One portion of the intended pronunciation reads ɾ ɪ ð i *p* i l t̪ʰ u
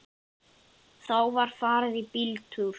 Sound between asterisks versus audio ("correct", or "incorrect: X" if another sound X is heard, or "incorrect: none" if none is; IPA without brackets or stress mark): correct